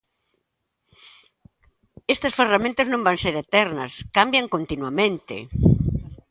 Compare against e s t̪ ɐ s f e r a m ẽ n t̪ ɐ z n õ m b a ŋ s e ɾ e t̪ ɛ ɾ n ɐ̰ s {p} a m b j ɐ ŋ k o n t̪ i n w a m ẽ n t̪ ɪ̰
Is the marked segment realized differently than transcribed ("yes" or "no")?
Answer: yes